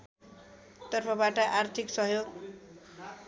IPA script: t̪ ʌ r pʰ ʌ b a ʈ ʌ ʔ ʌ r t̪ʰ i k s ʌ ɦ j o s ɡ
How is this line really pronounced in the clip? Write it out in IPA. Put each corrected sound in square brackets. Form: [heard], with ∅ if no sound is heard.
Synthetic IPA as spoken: t̪ ʌ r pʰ ʌ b a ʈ ʌ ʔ [a] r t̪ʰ i k s ʌ ɦ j o [∅] ɡ